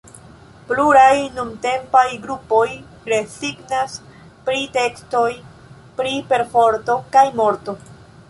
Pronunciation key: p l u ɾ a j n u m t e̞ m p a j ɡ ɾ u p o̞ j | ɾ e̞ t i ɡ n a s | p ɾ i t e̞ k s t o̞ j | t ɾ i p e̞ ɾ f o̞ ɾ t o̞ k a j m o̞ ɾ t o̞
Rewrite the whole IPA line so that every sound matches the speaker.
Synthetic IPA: p l u ɾ a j n u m t e̞ m p a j ɡ ɾ u p o̞ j | ɾ e̞ s i ɡ n a s | p ɾ i t e̞ k s t o̞ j | p ɾ i p e̞ ɾ f o̞ ɾ t o̞ k a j m o̞ ɾ t o̞